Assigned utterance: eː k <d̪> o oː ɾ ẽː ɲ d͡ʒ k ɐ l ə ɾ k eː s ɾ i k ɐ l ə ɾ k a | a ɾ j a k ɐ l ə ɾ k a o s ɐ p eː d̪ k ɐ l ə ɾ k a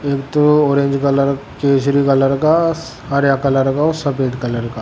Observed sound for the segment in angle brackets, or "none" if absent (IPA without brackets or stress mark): t̪